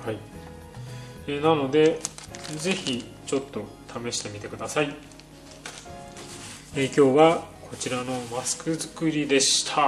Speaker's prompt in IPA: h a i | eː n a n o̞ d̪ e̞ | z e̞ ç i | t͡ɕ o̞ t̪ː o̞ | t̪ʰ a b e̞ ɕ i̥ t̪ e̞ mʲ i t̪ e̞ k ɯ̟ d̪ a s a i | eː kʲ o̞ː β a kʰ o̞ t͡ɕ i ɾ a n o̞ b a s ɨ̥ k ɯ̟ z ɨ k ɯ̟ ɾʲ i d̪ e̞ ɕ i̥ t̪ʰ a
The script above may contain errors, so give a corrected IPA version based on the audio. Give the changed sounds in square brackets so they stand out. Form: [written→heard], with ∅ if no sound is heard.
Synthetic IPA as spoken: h a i | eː n a n o̞ d̪ e̞ | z e̞ ç i | t͡ɕ o̞ t̪ː o̞ | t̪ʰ a [b→m] e̞ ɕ i̥ t̪ e̞ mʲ i t̪ e̞ k ɯ̟ d̪ a s a i | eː kʲ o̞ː β a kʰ o̞ t͡ɕ i ɾ a n o̞ [b→m] a s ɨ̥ k ɯ̟ z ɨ k ɯ̟ ɾʲ i d̪ e̞ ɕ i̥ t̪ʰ a